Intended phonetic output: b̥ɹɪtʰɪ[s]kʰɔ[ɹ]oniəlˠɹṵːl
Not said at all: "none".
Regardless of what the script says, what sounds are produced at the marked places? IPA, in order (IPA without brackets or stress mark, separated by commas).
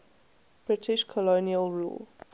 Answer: ʃ, l